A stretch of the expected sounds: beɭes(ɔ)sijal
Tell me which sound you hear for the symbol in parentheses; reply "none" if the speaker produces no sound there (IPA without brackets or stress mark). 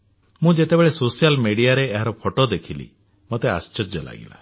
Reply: o